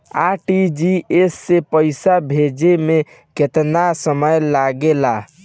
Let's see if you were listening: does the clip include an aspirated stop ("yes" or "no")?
no